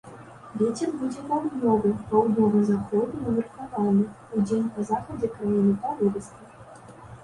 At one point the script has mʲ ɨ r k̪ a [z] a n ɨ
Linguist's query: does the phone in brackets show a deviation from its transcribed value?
yes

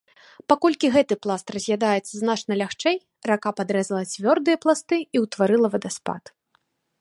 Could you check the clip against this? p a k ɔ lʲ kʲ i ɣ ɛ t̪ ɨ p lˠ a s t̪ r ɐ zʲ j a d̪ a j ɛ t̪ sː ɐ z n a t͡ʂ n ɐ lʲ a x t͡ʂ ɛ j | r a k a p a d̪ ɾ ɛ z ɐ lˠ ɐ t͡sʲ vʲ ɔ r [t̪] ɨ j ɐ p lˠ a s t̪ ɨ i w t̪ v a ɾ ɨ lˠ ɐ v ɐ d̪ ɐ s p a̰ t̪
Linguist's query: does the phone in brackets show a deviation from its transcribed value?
yes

